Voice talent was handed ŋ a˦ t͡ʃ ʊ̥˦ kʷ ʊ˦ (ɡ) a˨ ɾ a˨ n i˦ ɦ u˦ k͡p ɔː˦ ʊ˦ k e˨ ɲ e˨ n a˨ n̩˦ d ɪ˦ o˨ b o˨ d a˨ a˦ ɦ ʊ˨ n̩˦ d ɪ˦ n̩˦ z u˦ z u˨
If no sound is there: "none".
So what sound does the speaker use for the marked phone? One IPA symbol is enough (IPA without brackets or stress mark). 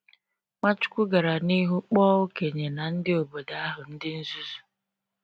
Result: ɡ